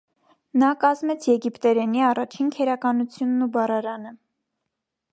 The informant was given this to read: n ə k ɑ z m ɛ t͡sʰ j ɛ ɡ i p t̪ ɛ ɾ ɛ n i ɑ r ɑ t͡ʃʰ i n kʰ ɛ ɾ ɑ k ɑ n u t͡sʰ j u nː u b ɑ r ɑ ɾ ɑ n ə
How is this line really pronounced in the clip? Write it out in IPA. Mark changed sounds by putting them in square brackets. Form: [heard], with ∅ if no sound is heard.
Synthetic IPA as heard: n [ɑ] k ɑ z m ɛ t͡sʰ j ɛ ɡ i p t̪ ɛ ɾ ɛ n i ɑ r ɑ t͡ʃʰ i n kʰ ɛ ɾ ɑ k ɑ n u t͡sʰ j u nː u b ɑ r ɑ ɾ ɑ n ə